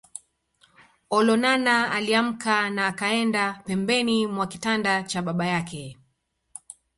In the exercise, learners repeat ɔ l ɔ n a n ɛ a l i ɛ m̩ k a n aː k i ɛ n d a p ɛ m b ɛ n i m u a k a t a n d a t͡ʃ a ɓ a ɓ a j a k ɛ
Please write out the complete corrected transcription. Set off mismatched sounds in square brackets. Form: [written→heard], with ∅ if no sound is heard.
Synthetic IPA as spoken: ɔ l ɔ n a n [ɛ→a] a l i [ɛ→a] m̩ k a n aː k [i→a] ɛ n d a p ɛ m b ɛ n i m [u→w] a k [a→i] t a n d a t͡ʃ a ɓ a ɓ a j a k ɛ